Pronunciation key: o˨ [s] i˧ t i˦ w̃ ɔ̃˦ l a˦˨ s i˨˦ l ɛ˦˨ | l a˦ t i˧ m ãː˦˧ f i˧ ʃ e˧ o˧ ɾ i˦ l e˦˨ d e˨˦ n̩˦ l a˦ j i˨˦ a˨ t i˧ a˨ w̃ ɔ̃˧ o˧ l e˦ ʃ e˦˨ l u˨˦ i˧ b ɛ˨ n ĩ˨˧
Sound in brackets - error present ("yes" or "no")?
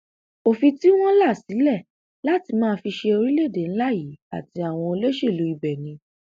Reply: yes